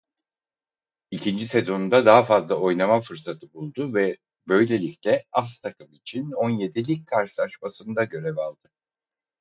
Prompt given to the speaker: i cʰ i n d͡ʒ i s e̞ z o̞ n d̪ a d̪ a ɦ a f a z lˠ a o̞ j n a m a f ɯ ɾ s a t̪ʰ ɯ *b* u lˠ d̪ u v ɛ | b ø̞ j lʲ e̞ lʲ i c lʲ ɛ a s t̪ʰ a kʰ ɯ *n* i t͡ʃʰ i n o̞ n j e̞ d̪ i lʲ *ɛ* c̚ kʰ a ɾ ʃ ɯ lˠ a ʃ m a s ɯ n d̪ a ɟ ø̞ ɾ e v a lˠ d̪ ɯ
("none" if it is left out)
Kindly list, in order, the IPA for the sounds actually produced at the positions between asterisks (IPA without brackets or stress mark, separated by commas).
b, m, i